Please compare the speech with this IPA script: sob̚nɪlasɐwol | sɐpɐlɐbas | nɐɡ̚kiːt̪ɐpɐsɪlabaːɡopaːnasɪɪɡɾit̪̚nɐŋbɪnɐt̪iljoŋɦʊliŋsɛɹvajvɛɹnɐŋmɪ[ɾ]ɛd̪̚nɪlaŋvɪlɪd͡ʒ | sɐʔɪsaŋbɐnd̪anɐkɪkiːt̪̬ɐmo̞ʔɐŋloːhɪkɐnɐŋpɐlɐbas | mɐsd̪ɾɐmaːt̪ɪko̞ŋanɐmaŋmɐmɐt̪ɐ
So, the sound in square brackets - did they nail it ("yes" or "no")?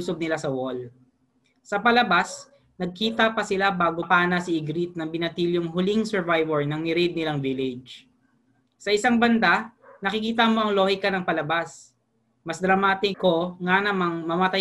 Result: yes